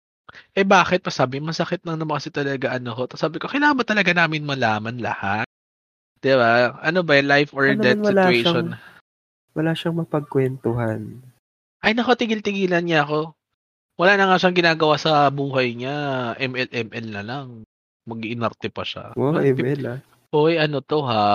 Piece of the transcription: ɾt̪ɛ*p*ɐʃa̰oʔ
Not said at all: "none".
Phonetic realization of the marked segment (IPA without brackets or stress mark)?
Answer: p